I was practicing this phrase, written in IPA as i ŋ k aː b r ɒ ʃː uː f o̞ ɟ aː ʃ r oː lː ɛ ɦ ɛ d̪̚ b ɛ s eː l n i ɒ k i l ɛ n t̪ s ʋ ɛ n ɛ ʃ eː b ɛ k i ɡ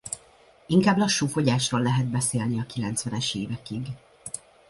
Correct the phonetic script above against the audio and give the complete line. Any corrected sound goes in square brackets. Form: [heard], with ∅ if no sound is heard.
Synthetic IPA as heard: i ŋ k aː b [l] ɒ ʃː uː f o̞ ɟ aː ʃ r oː lː ɛ ɦ ɛ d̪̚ b ɛ s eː l n i ɒ k i l ɛ n t̪ s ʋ ɛ n ɛ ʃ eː [v] ɛ k i ɡ